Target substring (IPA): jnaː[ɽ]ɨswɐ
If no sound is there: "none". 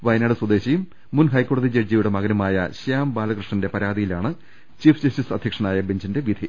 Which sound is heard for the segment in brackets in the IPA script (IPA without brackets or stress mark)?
ɽ